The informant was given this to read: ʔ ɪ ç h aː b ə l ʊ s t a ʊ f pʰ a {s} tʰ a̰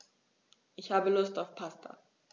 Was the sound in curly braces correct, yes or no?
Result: yes